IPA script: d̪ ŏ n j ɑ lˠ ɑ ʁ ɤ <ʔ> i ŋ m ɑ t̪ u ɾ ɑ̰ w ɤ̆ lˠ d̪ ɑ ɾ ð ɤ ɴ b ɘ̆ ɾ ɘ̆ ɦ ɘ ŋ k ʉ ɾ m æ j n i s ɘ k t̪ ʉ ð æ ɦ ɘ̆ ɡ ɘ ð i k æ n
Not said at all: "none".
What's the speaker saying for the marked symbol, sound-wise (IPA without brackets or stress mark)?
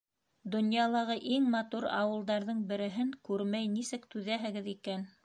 ʔ